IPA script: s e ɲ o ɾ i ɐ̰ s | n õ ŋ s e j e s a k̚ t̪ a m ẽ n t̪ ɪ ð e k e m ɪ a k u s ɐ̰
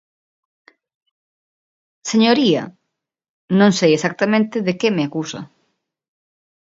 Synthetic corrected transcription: s e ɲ o ɾ i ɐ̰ | n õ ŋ s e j e s a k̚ t̪ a m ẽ n t̪ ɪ ð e k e m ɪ a k u s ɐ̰